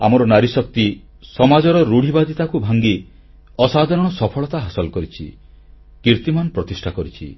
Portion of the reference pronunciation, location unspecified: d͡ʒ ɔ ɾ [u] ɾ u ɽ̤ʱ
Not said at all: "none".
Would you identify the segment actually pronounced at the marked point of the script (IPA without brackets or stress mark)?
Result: ɔ